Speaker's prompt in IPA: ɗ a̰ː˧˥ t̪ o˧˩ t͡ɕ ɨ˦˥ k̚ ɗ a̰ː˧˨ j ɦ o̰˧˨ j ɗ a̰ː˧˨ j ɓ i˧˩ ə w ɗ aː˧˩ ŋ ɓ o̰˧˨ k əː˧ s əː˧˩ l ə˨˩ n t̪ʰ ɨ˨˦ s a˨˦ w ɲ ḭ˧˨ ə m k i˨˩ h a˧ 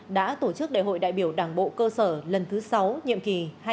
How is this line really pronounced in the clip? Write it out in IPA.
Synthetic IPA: ɗ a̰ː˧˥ t̪ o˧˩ t͡ɕ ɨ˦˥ k̚ ɗ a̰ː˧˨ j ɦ o̰˧˨ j ɗ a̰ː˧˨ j ɓ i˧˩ ə w ɗ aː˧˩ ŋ ɓ o̰˧˨ k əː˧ s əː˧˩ l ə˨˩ n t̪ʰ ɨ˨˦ s a˨˦ w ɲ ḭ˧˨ ə m k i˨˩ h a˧